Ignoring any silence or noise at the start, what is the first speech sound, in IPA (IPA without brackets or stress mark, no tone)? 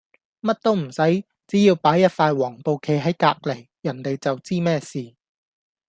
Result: m